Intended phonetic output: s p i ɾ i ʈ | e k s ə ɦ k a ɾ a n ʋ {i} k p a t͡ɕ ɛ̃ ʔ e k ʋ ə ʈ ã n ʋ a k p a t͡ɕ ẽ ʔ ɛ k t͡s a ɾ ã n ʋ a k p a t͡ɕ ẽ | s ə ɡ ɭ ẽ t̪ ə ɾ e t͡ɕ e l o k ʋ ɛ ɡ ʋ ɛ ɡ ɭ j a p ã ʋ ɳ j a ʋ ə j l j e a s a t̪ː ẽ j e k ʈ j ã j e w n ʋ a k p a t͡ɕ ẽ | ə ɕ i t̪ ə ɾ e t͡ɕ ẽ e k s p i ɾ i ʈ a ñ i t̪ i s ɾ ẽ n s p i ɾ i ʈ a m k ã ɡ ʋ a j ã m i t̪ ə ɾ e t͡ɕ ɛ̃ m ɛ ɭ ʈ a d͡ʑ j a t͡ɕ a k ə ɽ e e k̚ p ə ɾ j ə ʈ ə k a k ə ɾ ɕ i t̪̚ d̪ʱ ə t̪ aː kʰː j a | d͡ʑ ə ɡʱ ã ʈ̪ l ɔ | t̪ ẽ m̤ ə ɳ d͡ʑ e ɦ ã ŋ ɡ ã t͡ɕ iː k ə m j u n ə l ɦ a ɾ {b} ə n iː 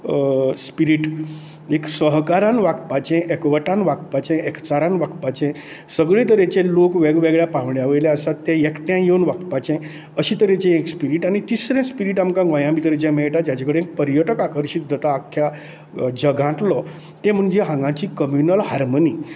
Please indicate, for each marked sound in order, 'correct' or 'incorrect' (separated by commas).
incorrect, incorrect